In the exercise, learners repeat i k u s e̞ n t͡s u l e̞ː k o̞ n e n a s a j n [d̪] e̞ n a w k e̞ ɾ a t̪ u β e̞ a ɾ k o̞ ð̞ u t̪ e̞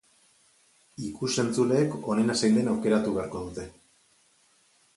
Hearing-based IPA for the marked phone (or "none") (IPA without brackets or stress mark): d̪